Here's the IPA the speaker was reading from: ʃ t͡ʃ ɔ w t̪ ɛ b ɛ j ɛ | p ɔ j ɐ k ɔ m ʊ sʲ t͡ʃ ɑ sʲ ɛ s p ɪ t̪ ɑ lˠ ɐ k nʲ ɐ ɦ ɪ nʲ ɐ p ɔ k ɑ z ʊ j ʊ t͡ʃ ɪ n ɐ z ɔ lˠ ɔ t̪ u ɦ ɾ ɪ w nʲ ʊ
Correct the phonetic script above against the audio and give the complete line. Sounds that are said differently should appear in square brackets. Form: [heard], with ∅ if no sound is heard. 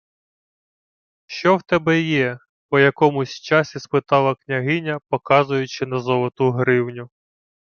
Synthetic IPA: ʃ t͡ʃ ɔ w t̪ ɛ b ɛ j ɛ | p ɔ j ɐ k ɔ m ʊ sʲ t͡ʃ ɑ sʲ [i] s p ɪ t̪ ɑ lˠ ɐ k nʲ ɐ ɦ ɪ nʲ ɐ p ɔ k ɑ z ʊ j ʊ t͡ʃ ɪ n ɐ z ɔ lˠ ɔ t̪ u ɦ ɾ ɪ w nʲ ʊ